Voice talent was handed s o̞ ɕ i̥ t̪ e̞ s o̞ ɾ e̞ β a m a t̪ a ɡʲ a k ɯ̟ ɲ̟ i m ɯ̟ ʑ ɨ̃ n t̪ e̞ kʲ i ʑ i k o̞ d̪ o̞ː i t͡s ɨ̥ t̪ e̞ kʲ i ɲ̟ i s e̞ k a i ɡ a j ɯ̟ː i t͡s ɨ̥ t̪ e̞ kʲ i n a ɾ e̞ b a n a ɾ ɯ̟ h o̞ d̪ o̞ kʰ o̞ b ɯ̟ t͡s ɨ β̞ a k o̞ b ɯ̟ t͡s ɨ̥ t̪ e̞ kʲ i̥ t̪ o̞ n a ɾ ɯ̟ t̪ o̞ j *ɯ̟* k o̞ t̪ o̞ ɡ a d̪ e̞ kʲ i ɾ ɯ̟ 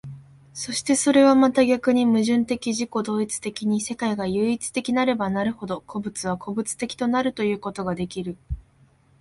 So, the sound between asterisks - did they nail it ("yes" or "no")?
no